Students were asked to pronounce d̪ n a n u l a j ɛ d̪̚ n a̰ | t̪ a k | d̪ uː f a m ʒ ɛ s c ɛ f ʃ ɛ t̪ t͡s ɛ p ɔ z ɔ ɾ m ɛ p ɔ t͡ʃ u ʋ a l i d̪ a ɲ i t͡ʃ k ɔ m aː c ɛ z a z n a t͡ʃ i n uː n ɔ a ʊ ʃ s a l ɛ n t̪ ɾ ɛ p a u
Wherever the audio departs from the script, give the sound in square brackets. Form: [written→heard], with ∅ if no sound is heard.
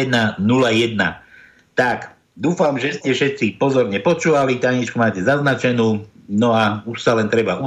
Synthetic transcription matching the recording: d̪ n a n u l a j ɛ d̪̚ n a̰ | t̪ a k | d̪ uː f a m ʒ ɛ s c ɛ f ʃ ɛ t̪ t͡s [ɛ→i] p ɔ z ɔ ɾ [m→ɲ] ɛ p ɔ t͡ʃ [u→uː] ʋ a l i [d̪→t̪] a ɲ i t͡ʃ k [ɔ→u] m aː c ɛ z a z n a t͡ʃ [i→ɛ] n uː n ɔ a [ʊ→u] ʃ s a l ɛ n t̪ ɾ ɛ [p→b] a u